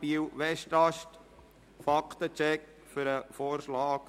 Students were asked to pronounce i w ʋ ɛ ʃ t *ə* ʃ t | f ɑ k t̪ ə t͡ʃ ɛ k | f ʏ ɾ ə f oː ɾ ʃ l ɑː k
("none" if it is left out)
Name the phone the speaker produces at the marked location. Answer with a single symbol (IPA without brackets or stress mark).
ɑ